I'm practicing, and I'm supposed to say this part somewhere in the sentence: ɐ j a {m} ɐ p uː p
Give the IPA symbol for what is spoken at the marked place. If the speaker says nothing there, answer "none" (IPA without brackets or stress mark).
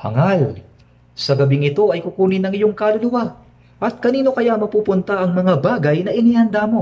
m